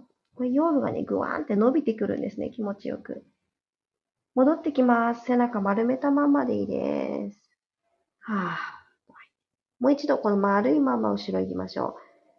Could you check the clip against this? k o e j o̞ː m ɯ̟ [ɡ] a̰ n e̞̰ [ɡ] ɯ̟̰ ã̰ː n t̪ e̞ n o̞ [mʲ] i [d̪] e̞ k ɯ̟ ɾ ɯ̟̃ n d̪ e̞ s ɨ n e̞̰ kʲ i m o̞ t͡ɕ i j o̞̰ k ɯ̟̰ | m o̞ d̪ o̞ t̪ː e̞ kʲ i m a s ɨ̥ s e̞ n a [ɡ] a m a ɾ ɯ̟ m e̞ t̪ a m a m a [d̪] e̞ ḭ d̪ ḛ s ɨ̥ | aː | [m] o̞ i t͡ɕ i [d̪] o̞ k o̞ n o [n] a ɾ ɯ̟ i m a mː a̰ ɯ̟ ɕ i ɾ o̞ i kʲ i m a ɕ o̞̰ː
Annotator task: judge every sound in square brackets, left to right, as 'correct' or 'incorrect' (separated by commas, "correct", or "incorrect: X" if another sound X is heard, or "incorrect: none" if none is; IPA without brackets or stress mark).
correct, correct, incorrect: bʲ, incorrect: t̪, incorrect: k, correct, correct, correct, incorrect: m